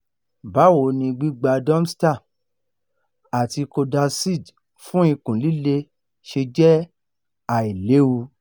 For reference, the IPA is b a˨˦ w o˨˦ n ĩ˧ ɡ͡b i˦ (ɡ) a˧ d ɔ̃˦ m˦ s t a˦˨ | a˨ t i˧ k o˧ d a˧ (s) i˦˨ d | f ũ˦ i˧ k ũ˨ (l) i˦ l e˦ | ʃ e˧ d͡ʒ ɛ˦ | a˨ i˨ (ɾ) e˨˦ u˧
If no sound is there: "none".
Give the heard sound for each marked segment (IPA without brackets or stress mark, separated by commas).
ɡ͡b, s, l, l